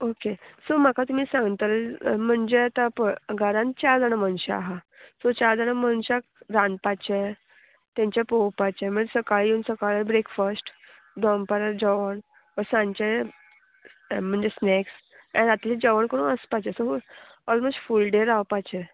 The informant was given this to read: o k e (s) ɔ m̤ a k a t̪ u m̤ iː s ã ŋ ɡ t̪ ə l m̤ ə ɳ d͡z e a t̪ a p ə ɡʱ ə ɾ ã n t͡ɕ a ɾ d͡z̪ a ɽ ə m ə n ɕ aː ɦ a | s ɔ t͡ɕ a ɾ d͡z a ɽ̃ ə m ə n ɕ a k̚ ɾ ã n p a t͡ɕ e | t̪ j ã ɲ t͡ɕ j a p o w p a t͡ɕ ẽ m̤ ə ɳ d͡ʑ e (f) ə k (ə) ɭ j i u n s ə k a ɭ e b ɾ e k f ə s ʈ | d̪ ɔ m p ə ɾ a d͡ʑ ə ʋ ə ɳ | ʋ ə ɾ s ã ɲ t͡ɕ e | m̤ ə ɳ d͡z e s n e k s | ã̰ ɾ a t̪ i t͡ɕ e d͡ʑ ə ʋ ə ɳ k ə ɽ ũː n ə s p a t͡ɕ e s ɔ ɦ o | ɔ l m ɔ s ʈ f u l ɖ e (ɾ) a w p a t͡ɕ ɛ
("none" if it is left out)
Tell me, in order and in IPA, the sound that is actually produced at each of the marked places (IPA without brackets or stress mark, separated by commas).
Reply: s, s, a, ɾ